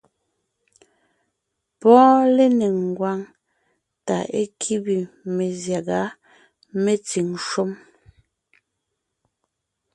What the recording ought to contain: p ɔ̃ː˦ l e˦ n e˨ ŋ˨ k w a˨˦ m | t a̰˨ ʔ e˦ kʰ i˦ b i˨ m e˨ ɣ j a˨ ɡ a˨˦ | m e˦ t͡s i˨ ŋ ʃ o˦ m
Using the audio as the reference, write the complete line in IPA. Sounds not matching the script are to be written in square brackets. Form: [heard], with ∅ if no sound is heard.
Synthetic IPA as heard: p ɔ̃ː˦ l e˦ n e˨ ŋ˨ [ɡ] w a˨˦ [ŋ] | t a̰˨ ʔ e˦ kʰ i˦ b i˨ m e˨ [z] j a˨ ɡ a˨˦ | m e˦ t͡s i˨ ŋ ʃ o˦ m